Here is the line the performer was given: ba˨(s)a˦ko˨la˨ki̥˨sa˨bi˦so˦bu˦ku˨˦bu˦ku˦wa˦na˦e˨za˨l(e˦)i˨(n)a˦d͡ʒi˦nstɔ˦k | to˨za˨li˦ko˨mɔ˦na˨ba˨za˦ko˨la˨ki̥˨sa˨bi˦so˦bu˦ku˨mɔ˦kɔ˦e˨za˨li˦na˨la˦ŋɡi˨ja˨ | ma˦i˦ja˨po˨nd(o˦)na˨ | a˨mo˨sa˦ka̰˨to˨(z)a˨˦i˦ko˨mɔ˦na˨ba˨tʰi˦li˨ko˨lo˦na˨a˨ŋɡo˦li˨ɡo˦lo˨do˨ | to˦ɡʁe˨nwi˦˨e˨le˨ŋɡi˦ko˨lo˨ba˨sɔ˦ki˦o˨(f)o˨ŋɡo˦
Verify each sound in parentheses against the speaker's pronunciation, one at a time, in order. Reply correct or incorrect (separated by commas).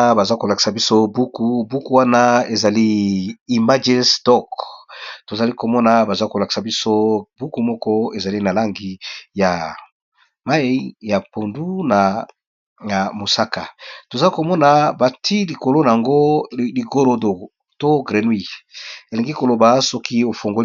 incorrect, incorrect, incorrect, incorrect, correct, correct